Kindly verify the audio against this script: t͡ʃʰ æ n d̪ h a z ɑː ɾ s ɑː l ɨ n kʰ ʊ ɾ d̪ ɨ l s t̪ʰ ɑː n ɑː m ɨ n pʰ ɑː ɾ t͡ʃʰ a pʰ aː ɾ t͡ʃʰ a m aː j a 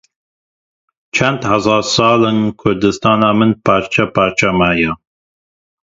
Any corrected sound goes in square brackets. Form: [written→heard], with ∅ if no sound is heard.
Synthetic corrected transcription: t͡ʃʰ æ n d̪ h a z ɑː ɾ s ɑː l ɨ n kʰ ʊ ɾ d̪ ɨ [l→∅] s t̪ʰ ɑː n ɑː m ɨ n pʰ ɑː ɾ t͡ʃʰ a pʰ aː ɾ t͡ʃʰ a m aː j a